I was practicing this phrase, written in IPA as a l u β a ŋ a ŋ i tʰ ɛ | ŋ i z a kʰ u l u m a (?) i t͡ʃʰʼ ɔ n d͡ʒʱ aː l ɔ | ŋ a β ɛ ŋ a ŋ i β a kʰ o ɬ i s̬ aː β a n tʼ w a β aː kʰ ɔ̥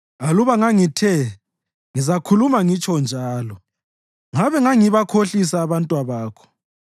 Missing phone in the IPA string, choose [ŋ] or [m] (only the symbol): ŋ